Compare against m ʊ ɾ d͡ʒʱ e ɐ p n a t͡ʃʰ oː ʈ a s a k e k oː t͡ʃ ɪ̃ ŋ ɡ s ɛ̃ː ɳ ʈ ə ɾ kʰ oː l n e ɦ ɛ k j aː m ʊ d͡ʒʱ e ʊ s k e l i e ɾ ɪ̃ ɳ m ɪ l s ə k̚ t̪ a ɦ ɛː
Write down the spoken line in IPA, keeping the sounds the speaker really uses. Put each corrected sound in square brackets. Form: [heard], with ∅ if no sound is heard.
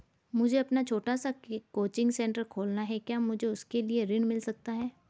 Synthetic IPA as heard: m ʊ [∅] d͡ʒʱ e ɐ p n a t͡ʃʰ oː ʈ a s a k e k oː t͡ʃ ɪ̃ ŋ ɡ s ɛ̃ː ɳ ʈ ə ɾ kʰ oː l n [a] ɦ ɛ k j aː m ʊ d͡ʒʱ e ʊ s k e l i e ɾ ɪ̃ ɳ m ɪ l s [ɐ] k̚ t̪ a ɦ ɛː